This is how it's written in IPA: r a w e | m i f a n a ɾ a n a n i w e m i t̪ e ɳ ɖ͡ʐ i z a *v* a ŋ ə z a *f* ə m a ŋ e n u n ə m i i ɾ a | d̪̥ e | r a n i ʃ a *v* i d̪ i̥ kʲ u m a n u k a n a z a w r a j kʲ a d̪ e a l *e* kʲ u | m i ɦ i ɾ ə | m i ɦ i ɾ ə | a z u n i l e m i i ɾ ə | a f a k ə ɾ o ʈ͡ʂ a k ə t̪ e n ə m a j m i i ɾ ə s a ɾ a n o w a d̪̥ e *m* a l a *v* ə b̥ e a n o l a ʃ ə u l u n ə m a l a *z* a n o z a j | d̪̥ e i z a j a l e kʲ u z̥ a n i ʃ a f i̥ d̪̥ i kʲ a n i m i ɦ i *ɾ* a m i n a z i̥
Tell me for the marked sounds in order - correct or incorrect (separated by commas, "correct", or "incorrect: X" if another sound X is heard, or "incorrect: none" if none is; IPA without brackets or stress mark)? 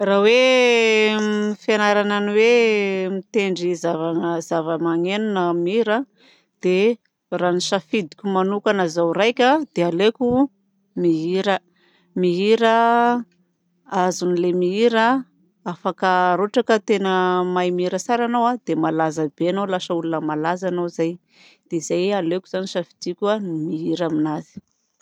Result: correct, incorrect: v, incorrect: f, correct, correct, incorrect: z, correct, correct